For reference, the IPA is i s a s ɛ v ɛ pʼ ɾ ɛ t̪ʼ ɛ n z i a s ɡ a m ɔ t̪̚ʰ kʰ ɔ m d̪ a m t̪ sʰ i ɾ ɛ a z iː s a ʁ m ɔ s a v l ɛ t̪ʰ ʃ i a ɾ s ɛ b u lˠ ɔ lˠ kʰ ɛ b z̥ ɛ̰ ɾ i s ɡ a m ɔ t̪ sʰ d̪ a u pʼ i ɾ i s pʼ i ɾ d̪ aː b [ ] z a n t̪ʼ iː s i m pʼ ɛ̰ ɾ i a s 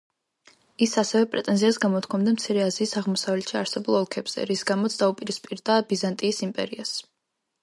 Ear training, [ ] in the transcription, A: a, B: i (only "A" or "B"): B